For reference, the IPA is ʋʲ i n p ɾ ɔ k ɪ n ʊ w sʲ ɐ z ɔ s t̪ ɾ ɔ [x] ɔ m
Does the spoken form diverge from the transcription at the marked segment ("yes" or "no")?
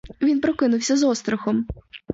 no